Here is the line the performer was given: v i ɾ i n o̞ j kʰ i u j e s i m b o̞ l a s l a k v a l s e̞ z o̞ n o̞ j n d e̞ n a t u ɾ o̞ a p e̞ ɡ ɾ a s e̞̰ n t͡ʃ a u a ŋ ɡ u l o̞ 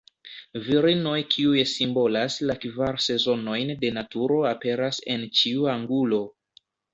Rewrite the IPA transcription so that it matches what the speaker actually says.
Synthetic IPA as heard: v i ɾ i n o̞ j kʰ i u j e s i m b o̞ l a s l a k v a ɾ s e̞ z o̞ n o̞ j n d e̞ n a t u ɾ o̞ a p e̞ ɾ a s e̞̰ n t͡ʃ i u a ŋ ɡ u l o̞